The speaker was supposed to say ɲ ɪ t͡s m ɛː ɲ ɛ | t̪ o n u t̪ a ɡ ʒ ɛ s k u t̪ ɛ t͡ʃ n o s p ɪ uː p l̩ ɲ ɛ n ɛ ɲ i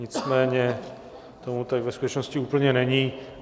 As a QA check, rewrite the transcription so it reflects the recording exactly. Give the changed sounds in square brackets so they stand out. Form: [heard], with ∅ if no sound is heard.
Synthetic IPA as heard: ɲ ɪ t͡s m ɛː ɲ ɛ | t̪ o [m] u t̪ a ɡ [v] ɛ s k u t̪ ɛ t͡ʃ n o s [c] ɪ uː p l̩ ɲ ɛ n ɛ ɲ i